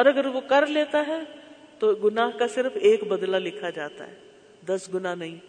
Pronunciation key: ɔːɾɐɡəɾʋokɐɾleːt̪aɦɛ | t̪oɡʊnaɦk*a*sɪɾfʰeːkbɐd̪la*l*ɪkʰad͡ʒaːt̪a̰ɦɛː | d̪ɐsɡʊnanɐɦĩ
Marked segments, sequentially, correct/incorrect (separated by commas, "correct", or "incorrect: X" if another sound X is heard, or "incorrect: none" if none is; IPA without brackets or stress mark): correct, correct